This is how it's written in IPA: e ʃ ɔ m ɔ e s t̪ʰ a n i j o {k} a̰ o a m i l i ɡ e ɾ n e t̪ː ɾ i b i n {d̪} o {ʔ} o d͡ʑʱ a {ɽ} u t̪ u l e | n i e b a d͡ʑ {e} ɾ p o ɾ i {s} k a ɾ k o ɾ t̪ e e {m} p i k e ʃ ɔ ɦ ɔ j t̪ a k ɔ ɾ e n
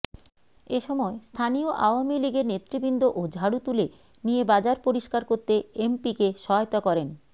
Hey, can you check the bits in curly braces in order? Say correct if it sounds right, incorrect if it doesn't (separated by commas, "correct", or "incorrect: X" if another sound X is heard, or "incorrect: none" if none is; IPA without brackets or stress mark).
incorrect: ʔ, correct, correct, correct, incorrect: a, incorrect: ʃ, correct